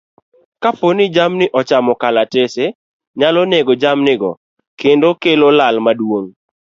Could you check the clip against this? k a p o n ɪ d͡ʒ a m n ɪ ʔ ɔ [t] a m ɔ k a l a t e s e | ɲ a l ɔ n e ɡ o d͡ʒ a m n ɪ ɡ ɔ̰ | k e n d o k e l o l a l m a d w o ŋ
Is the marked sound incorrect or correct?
incorrect